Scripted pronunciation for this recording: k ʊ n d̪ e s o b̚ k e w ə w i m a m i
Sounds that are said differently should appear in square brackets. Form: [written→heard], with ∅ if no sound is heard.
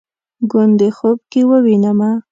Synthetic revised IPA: [k→ɡ] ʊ n d̪ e [s→x] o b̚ k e w ə w i [m→n] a m [i→a]